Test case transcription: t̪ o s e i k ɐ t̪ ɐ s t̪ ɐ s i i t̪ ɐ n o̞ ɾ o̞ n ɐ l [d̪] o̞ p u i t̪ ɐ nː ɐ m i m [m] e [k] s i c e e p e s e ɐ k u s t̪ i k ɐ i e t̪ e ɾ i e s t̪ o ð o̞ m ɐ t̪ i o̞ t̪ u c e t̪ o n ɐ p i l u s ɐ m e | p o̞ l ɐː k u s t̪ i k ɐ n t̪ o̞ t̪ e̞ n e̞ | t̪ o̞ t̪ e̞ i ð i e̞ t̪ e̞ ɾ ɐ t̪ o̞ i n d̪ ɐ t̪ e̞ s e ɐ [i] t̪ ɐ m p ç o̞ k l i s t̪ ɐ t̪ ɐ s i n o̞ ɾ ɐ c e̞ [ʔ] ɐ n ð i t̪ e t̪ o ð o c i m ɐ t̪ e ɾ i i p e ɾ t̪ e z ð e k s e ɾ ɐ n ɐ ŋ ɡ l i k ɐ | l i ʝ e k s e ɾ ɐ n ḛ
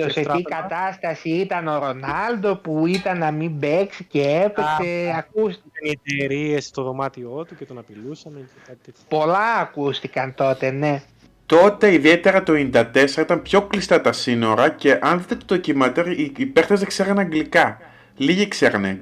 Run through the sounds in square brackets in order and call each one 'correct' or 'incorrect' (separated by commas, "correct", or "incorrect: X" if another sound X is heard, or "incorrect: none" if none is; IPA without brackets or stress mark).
correct, incorrect: b, correct, correct, correct